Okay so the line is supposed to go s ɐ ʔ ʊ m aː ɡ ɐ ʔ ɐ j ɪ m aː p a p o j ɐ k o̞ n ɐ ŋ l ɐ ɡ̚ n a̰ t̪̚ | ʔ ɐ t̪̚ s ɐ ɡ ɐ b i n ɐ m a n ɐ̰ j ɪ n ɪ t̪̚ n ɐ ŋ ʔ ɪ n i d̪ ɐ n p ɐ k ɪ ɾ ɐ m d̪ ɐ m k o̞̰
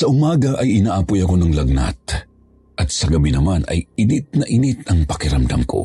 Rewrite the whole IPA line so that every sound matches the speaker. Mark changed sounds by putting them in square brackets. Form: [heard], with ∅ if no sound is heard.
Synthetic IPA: s ɐ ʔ ʊ m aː ɡ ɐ ʔ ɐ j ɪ [n] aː [ʔ] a p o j ɐ k o̞ n ɐ ŋ l ɐ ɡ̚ n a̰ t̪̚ | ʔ ɐ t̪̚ s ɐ ɡ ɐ b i n ɐ m a n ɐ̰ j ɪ n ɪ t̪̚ n ɐ [∅] ʔ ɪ n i [t̪] ɐ [ŋ] p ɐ k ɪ ɾ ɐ m d̪ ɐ m k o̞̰